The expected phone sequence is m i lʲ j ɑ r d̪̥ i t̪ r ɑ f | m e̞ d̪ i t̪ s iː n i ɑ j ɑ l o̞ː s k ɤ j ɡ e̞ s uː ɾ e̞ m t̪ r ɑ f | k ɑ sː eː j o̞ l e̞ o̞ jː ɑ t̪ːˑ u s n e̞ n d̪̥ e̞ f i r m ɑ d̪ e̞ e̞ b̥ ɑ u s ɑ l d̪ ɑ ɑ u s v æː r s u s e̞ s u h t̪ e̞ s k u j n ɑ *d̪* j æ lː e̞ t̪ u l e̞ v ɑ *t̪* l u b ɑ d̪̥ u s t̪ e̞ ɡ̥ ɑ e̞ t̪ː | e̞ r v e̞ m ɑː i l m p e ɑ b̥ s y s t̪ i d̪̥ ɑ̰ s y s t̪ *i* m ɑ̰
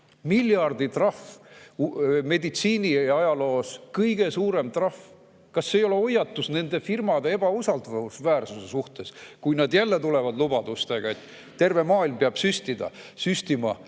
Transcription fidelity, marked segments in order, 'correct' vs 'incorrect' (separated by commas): correct, incorrect, correct